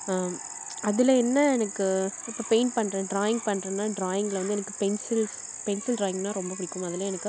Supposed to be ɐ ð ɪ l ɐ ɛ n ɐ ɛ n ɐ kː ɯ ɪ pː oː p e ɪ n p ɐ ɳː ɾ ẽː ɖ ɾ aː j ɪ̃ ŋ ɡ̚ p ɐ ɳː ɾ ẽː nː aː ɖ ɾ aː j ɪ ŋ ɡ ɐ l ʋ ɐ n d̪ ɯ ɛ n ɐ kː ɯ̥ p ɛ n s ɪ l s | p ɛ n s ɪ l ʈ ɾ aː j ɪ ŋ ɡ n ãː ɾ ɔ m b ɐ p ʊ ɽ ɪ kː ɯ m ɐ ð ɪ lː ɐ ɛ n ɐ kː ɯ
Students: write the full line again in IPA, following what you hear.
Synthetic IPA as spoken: ɐ ð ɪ l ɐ ɛ nː ɐ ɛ n ɐ kː ɯ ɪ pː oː p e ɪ n p ɐ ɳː ɾ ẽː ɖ ɾ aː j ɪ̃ ŋ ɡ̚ p ɐ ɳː ɾ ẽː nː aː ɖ ɾ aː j ɪ ŋ ɡ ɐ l ʋ ɐ n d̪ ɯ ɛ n ɐ kː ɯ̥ p ɛ n s ɪ l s | p ɛ n s ɪ l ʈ ɾ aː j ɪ ŋ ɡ n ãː ɾ ɔ m b ɐ p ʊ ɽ ɪ kː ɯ m ɐ ð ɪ l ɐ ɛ n ɐ kː ɯ